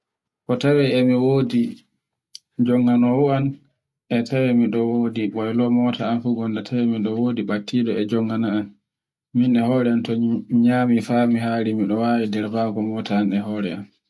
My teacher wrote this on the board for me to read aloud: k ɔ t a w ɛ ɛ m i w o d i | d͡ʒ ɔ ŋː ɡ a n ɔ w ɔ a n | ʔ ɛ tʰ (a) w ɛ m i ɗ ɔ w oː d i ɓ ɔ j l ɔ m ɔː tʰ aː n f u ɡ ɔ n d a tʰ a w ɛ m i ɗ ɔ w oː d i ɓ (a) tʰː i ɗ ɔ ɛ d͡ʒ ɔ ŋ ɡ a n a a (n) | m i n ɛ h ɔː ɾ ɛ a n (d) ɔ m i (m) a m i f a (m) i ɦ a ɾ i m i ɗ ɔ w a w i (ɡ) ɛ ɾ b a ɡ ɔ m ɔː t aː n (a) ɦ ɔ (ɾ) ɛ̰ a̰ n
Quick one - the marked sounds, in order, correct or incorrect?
correct, correct, correct, incorrect, incorrect, correct, incorrect, incorrect, correct

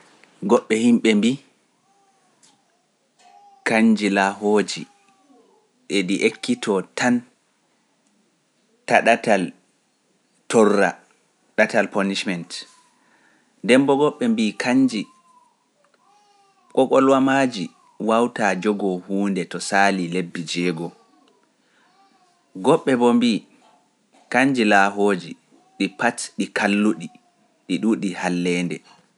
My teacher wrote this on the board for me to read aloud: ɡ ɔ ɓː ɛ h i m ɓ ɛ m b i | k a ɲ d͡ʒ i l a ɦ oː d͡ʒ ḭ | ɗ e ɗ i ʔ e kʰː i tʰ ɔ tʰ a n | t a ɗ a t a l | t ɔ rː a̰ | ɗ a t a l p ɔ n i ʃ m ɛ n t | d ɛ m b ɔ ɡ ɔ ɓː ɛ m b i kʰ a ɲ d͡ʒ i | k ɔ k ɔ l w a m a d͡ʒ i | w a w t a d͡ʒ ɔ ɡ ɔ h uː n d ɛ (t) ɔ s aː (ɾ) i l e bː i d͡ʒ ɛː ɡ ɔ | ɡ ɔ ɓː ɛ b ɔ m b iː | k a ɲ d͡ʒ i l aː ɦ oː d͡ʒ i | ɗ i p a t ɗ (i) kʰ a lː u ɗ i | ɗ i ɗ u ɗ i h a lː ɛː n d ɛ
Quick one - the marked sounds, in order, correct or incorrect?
correct, incorrect, correct

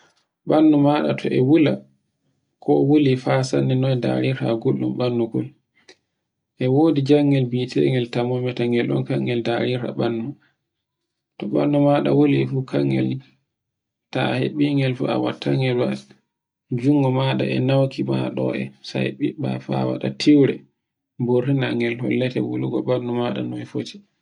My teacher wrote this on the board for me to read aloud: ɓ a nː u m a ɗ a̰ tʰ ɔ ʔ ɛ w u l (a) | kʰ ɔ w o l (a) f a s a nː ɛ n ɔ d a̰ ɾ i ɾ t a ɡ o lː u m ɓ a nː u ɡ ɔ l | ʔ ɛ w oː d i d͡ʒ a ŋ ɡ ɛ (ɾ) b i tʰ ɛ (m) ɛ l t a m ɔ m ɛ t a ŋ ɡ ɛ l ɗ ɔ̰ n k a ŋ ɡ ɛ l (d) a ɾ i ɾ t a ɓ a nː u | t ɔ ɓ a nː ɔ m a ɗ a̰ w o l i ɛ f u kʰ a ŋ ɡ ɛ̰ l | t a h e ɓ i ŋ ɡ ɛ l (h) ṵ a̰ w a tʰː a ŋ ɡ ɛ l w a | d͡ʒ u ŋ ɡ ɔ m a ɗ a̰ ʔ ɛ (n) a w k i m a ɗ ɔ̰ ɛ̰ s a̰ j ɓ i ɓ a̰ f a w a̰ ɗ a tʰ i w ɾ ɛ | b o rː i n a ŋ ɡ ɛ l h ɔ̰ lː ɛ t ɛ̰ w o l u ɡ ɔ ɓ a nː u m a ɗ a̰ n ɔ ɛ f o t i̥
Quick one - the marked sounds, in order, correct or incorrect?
correct, incorrect, incorrect, incorrect, correct, incorrect, correct

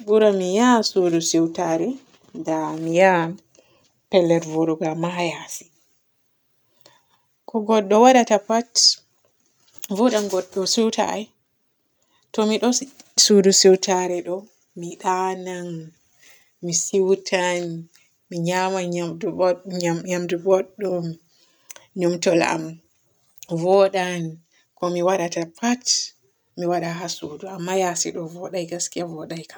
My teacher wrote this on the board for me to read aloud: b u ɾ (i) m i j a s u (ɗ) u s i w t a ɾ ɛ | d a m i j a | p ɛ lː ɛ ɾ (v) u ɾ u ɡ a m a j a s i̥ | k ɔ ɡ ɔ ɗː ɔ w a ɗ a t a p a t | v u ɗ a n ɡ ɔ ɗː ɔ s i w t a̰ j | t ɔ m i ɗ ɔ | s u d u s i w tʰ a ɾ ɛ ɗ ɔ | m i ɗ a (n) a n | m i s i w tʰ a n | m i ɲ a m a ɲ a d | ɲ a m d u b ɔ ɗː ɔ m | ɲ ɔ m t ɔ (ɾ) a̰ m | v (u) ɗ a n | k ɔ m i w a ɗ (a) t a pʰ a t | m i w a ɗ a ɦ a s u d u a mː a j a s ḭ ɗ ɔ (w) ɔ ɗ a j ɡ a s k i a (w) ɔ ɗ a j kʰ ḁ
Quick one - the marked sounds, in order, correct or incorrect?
incorrect, incorrect, correct, correct, incorrect, incorrect, correct, incorrect, incorrect

